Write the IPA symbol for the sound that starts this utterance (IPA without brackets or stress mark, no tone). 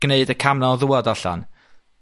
n